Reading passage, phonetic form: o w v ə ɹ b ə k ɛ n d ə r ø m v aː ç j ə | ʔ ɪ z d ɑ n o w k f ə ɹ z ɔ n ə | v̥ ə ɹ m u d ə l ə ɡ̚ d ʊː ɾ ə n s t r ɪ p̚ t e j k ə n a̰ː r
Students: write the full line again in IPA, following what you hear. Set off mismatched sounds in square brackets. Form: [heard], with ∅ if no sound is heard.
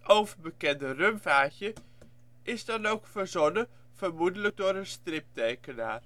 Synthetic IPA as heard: o w v ə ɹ b ə k ɛ n d ə r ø m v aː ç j ə | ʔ ɪ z d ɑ n o w k f ə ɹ z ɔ n ə | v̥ ə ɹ m u d ə l ə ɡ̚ d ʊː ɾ ə n s t r ɪ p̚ t e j k ə n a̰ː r

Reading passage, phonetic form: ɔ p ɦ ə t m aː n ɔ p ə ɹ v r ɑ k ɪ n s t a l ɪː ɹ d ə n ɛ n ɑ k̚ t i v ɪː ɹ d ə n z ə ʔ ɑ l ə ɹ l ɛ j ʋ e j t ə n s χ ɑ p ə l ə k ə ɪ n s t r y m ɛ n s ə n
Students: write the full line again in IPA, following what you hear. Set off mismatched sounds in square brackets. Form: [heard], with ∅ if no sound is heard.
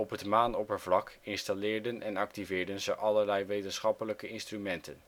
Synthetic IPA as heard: ɔ p ɦ ə t m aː n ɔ p ə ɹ v [l] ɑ k ɪ n s t a l ɪː ɹ d ə n ɛ n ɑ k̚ t i v ɪː ɹ d ə n z ə ʔ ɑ l ə ɹ l ɛ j ʋ e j t ə n s χ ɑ p ə l ə k ə ɪ n s t r y m ɛ n [t] ə n

